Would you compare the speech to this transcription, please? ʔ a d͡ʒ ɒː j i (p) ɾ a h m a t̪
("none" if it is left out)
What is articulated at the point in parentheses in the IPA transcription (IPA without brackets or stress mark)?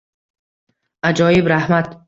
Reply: b